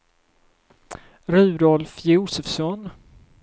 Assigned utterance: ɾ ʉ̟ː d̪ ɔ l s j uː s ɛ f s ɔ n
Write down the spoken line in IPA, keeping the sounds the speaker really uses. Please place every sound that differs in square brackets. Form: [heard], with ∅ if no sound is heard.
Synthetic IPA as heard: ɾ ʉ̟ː d̪ ɔ l [f] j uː s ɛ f s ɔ n